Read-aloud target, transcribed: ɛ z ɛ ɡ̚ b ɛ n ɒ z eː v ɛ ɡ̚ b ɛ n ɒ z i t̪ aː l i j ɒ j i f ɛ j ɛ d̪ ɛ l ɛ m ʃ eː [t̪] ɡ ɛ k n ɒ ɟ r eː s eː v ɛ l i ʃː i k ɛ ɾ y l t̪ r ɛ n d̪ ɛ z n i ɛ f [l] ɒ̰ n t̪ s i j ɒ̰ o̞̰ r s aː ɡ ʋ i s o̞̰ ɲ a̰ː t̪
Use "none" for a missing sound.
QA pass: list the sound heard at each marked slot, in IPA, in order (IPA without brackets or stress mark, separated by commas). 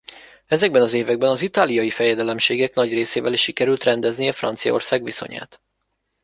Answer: none, r